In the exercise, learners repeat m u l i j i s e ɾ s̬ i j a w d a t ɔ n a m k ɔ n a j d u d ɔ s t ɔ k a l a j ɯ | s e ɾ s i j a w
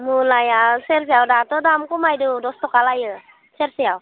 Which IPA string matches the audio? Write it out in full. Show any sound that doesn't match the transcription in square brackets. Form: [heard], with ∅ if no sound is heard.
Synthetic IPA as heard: m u l [a] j [a] s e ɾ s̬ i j a w d a t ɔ [d] a m k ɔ [m] a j d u d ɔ s t ɔ k a l a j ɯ | s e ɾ s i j a w